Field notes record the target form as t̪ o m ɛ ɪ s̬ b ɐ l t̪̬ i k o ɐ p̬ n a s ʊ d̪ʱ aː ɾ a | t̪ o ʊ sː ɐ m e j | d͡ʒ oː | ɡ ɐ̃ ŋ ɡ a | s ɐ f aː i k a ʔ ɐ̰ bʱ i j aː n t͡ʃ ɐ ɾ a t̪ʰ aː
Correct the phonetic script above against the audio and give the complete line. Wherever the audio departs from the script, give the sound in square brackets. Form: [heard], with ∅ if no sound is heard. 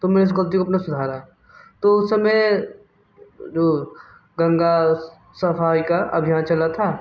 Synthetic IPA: t̪ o m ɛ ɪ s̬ [ɡ] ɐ l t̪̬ i k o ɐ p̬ n a s ʊ d̪ʱ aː ɾ a | t̪ o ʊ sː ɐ m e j | d͡ʒ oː | ɡ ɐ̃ ŋ ɡ a | s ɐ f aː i k a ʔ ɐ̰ bʱ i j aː n t͡ʃ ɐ [l] a t̪ʰ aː

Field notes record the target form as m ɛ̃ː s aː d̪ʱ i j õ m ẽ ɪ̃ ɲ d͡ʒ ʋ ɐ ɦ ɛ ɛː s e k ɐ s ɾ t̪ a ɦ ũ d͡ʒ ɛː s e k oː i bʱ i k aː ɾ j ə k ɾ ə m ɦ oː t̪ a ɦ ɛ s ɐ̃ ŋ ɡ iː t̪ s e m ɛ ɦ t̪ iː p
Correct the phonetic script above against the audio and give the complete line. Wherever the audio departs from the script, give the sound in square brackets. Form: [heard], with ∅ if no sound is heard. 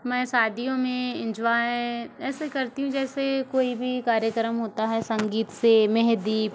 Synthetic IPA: m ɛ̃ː s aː d̪ʱ i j õ m ẽ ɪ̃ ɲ d͡ʒ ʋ [a] ɦ ɛ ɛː s e k ɐ [∅] ɾ t̪ [i] ɦ ũ d͡ʒ ɛː s e k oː i bʱ i k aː ɾ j ə k ɾ ə m ɦ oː t̪ a ɦ ɛ s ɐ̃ ŋ ɡ iː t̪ s e m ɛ ɦ [d̪] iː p

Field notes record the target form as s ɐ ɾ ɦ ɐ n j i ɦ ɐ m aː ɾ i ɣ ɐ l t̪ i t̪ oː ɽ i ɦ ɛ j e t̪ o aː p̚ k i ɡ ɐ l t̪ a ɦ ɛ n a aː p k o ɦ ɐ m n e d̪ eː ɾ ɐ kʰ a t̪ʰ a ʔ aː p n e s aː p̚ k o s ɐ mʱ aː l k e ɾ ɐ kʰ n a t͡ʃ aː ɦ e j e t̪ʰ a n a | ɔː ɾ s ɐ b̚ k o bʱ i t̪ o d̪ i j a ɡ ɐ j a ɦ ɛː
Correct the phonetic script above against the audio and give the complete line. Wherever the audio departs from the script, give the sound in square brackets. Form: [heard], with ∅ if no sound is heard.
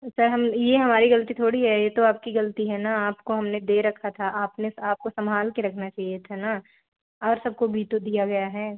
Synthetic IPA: s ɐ ɾ ɦ ɐ [m] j [e] ɦ ɐ m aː ɾ i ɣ ɐ l t̪ i [t̪ʰ] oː ɽ i ɦ ɛ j e t̪ o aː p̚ k i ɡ ɐ l t̪ [i] ɦ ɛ n a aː p k o ɦ ɐ m n e d̪ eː ɾ ɐ kʰ a t̪ʰ a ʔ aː p n e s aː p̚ k o s ɐ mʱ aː l k e ɾ ɐ kʰ n a t͡ʃ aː ɦ [i] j e t̪ʰ a n a | ɔː ɾ s ɐ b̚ k o bʱ i t̪ o d̪ i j a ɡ ɐ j a ɦ ɛː

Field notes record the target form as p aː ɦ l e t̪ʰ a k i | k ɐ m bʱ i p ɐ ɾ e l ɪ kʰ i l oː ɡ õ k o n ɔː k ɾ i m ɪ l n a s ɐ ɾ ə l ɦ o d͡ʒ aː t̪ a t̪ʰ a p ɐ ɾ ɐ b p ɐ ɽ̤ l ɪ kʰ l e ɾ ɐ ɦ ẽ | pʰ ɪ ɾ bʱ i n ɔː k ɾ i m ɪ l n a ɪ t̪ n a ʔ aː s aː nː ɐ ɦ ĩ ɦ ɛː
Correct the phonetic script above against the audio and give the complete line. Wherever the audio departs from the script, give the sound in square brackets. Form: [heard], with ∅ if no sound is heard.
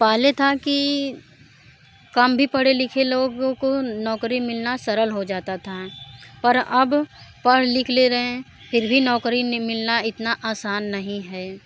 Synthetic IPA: p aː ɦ l e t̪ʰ a k i | k ɐ m bʱ i p ɐ [ɽ] e l ɪ kʰ [e] l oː ɡ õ k o n ɔː k ɾ i m ɪ l n a s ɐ ɾ ə l ɦ o d͡ʒ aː t̪ a t̪ʰ a p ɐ ɾ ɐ b p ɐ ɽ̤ l ɪ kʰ l e ɾ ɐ ɦ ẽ | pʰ ɪ ɾ bʱ i n ɔː k ɾ i m ɪ l n a ɪ t̪ n a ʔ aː s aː nː ɐ ɦ ĩ ɦ ɛː

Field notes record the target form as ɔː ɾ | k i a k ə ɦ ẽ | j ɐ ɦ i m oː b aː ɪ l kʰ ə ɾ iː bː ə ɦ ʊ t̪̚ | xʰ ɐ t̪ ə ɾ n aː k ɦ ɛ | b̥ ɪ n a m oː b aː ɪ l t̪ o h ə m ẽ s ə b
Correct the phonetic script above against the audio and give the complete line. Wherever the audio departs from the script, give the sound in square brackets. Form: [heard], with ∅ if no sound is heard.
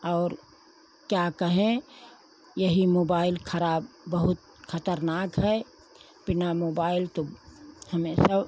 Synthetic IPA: ɔː ɾ | k [j] a k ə ɦ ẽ | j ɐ ɦ i m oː b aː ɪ l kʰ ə ɾ [aː] bː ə ɦ ʊ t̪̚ | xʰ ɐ t̪ ə ɾ n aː k ɦ ɛ | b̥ ɪ n a m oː b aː ɪ l t̪ o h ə m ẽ s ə b

